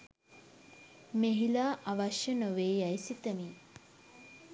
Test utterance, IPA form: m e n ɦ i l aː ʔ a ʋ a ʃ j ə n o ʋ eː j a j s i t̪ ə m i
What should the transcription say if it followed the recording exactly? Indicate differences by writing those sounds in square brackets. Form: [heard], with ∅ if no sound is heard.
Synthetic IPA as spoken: m e [∅] ɦ i l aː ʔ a ʋ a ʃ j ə n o ʋ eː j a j s i t̪ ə m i